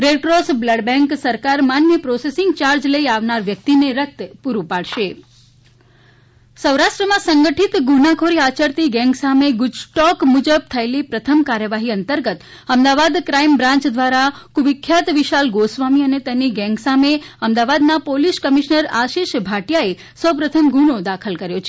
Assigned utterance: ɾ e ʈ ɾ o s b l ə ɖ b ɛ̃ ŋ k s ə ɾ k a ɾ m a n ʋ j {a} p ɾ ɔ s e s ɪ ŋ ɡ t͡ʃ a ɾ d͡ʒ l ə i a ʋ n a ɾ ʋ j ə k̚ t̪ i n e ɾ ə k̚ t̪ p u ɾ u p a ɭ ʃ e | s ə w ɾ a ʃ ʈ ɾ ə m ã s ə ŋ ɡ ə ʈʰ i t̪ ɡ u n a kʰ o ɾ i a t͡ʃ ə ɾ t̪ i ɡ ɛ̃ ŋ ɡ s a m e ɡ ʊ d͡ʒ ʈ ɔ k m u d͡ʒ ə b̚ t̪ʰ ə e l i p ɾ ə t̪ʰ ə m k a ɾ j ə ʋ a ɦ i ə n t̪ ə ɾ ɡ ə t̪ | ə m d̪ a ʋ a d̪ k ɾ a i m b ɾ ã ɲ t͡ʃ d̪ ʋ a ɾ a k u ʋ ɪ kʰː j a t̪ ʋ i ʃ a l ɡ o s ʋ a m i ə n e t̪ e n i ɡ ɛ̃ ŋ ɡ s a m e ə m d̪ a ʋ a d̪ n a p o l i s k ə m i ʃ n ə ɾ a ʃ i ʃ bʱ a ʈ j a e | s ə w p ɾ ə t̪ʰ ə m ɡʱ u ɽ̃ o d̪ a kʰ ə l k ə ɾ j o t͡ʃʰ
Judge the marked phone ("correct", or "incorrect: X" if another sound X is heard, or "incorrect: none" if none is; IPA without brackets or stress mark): incorrect: ə